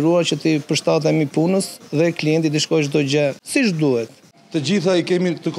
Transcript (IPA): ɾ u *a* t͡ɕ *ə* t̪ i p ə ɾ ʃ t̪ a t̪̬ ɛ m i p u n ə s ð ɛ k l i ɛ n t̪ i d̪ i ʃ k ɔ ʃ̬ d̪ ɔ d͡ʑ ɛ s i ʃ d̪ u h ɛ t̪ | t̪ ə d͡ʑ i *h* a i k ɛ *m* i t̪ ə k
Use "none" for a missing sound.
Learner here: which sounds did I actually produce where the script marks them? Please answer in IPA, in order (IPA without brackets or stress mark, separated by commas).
a, ə, θ, m